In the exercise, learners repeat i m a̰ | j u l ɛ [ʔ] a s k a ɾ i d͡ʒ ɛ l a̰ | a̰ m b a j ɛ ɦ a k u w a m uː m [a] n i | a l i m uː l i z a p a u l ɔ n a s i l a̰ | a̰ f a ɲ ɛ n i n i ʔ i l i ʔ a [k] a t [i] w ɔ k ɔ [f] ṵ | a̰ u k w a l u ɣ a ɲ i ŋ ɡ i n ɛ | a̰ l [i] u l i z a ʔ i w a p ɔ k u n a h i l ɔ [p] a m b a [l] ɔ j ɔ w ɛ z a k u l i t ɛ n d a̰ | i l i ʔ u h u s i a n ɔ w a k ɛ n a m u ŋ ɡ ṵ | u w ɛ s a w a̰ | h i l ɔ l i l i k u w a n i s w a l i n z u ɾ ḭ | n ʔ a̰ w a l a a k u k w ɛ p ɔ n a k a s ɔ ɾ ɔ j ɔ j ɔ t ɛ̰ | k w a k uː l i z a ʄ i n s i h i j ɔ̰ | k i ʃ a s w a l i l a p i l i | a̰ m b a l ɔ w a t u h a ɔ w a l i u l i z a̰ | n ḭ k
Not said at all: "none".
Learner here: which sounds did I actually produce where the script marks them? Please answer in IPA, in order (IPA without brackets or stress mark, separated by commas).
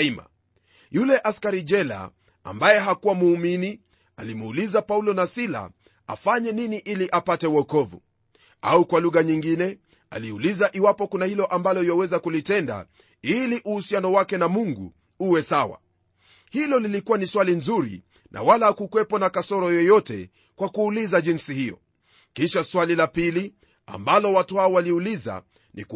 ʔ, i, p, ɛ, v, i, ʔ, l